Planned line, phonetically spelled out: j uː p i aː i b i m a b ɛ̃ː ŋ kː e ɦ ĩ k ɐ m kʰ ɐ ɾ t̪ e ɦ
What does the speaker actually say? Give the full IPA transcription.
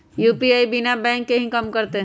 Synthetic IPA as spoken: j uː p i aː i b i n a b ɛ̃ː ŋ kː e ɦ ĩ k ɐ m k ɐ ɾ t̪ e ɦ